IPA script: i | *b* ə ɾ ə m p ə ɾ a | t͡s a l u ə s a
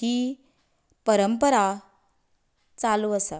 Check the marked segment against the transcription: incorrect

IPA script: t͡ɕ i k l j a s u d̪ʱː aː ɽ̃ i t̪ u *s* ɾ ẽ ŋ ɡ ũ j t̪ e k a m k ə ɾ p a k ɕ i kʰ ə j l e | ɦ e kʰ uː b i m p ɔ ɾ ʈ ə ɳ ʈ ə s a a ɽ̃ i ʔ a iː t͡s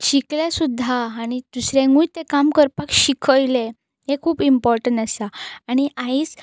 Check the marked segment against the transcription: correct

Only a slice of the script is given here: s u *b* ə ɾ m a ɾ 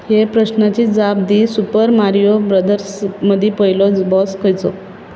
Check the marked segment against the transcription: incorrect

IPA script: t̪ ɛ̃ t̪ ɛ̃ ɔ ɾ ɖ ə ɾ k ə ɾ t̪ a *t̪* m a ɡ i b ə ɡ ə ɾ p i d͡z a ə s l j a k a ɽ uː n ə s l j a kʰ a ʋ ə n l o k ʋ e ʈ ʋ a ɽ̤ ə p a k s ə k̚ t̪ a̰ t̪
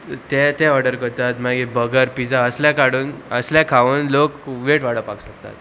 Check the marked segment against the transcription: correct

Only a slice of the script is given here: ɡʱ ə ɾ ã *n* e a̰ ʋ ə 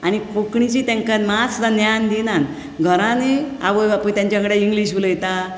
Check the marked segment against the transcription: correct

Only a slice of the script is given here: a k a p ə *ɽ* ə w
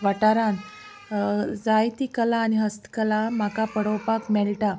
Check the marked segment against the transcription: correct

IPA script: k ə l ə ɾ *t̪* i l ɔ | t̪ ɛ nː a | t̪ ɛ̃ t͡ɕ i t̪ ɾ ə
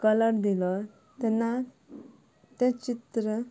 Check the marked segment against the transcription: incorrect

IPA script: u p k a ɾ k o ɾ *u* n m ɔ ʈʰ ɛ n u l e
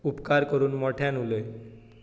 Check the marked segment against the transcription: correct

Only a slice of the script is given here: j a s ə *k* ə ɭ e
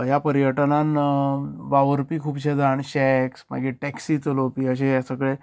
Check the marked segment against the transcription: correct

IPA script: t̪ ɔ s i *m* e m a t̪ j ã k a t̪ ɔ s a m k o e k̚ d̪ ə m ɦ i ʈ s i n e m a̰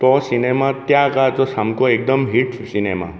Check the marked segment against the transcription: incorrect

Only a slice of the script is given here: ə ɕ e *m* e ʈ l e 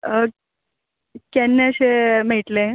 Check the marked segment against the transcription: correct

